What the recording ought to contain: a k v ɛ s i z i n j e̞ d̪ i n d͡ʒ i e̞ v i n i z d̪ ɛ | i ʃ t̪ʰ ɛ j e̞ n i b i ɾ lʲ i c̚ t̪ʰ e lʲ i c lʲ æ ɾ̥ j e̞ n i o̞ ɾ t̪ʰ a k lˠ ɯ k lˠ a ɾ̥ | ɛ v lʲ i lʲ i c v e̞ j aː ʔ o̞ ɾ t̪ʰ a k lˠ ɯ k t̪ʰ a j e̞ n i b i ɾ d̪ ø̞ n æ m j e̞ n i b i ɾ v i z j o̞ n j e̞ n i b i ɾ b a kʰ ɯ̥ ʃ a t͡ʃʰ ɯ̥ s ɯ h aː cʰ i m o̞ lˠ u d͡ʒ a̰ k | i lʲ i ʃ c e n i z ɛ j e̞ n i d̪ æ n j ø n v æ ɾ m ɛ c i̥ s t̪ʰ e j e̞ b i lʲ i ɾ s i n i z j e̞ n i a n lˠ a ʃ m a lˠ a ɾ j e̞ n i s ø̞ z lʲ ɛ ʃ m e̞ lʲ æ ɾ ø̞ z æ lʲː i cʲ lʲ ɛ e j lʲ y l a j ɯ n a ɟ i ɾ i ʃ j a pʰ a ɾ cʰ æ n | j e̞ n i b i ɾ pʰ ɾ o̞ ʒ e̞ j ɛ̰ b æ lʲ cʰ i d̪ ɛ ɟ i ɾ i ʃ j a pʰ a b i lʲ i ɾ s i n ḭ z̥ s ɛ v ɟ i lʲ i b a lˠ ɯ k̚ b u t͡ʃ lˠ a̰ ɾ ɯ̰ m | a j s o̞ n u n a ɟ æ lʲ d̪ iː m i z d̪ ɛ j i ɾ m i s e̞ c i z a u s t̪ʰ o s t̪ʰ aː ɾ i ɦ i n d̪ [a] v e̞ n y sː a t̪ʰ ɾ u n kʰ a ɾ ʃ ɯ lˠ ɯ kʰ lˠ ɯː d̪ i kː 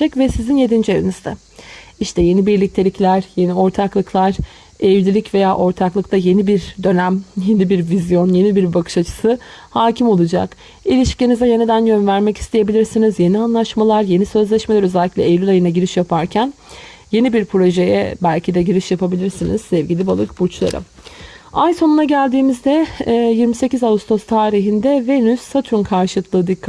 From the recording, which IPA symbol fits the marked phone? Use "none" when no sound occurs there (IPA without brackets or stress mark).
ɛ